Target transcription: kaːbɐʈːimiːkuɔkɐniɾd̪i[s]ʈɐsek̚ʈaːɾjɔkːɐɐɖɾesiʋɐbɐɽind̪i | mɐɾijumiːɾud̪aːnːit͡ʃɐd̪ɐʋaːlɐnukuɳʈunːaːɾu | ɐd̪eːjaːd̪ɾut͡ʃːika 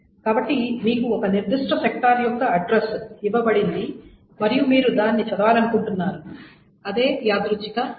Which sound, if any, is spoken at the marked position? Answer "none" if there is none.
ʂ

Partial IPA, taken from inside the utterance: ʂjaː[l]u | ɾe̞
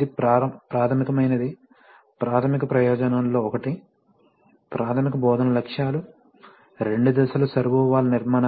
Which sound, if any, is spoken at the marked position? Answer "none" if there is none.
l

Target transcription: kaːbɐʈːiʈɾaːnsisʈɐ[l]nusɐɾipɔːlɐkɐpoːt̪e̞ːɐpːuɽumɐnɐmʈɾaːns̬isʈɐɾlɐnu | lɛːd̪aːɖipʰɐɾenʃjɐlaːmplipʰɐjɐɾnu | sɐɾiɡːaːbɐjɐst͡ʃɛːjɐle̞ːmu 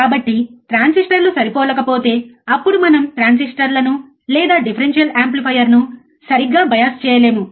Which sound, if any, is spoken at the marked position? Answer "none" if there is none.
ɾ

